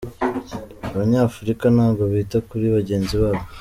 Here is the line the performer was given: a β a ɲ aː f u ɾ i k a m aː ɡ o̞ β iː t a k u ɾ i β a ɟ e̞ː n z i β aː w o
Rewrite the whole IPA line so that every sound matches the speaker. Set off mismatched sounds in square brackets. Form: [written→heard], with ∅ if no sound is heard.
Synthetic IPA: a β a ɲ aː f u ɾ i k a [m→n] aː ɡ o̞ β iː t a k u ɾ i β a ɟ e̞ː n z i β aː [w→β] o